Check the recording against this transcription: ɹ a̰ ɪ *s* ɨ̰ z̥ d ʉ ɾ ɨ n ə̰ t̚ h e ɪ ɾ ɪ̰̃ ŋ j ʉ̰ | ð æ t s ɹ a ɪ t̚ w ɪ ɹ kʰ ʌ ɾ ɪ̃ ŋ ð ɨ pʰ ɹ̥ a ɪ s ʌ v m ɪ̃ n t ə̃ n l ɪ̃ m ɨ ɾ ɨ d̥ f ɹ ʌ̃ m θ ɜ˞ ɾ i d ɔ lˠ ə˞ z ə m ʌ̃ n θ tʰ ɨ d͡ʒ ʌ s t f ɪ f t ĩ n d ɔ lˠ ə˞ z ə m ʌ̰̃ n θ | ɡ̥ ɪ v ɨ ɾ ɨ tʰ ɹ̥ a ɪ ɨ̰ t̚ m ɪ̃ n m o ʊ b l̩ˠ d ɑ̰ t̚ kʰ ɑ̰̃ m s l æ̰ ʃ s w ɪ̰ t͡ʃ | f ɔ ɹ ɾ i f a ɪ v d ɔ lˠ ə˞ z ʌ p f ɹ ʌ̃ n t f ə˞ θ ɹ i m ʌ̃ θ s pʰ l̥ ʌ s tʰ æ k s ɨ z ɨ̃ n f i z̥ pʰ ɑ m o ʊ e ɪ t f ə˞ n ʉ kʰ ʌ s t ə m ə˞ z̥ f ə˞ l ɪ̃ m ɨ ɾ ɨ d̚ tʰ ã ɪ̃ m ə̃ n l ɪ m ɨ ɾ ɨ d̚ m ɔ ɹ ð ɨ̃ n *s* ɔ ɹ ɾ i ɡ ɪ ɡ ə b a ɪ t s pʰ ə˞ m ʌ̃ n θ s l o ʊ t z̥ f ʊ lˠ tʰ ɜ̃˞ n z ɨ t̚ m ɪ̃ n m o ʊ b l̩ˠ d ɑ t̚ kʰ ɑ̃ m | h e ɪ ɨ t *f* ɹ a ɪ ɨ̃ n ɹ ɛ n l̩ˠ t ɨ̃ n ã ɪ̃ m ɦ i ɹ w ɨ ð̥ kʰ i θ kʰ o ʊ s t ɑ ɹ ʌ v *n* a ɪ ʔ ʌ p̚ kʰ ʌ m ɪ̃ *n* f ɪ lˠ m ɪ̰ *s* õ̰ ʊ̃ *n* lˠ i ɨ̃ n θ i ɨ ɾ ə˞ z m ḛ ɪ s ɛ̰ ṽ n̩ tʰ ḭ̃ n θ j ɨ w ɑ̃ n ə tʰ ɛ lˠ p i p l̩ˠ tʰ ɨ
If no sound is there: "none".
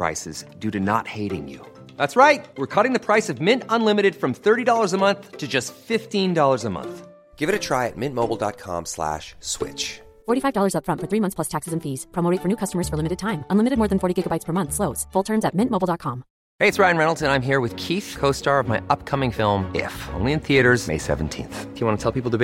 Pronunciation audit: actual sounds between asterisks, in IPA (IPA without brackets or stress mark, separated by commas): s, f, s, m, ŋ, f, n